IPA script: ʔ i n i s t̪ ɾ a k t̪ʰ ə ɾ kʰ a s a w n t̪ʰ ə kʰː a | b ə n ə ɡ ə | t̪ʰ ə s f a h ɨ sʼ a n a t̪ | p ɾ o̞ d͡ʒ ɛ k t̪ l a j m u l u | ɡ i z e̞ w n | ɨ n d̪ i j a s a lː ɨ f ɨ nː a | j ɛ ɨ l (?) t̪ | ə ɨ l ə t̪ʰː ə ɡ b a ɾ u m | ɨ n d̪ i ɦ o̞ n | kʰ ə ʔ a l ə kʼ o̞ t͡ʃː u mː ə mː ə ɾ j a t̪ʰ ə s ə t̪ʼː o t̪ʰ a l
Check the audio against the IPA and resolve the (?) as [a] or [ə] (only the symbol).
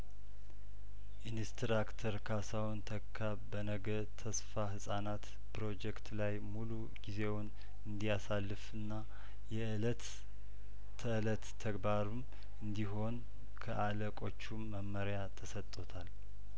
ə